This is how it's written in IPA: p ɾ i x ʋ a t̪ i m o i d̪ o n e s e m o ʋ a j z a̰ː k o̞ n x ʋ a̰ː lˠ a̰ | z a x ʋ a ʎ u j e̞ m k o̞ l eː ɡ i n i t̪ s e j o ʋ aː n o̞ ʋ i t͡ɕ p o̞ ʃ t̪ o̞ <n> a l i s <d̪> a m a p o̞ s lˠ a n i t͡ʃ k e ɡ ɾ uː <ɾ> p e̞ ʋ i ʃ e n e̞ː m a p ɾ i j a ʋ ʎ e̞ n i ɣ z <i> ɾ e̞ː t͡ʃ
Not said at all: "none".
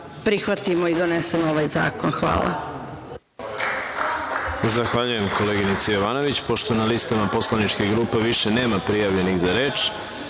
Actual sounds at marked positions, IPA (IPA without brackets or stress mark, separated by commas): n, t̪, none, a